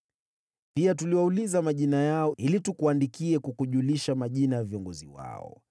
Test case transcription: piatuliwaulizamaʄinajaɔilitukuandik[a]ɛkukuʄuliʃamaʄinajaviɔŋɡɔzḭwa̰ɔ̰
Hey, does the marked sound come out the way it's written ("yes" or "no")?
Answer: no